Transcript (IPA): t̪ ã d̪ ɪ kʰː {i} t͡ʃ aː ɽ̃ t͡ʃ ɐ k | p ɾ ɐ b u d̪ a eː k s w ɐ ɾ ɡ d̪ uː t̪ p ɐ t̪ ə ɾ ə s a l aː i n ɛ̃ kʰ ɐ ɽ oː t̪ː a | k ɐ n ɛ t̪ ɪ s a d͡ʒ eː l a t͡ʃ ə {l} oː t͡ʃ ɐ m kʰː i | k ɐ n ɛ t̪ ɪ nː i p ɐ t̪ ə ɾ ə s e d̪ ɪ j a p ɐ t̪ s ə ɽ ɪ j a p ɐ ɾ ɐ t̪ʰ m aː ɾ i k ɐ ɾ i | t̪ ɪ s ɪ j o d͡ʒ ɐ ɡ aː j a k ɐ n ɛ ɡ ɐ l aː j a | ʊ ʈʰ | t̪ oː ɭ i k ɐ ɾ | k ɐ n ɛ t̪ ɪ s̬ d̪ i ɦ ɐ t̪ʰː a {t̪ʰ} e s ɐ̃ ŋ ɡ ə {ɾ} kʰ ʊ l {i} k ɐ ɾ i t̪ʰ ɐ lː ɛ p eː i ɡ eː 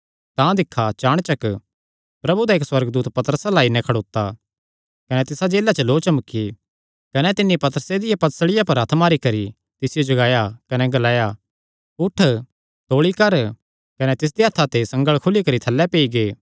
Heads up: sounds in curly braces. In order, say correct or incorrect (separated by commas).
incorrect, correct, incorrect, incorrect, correct